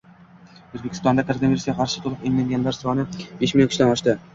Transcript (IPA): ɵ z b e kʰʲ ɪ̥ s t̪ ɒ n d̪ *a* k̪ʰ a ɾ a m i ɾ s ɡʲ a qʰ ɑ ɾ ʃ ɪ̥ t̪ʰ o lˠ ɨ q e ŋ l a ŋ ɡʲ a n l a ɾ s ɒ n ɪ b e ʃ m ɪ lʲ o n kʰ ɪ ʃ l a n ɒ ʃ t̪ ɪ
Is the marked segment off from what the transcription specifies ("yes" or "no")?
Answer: no